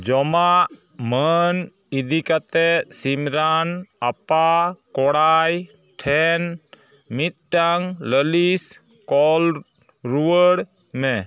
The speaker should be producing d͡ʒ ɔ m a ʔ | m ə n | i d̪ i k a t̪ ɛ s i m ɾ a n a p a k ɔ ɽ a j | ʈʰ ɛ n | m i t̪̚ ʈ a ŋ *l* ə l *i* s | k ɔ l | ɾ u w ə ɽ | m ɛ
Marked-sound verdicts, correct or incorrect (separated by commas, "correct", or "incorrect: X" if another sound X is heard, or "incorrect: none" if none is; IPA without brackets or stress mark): correct, correct